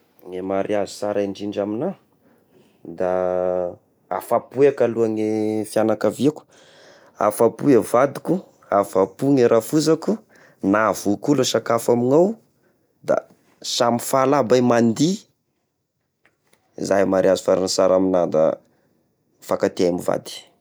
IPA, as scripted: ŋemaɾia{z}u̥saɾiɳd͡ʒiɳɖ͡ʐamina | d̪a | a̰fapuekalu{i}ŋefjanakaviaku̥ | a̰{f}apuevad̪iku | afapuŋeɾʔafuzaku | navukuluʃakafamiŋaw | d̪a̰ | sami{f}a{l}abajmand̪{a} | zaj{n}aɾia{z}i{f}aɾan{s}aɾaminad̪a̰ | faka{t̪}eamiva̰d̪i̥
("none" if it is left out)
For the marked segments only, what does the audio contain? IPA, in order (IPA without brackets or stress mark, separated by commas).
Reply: z, a, f, f, l, i, m, z, f, s, t̪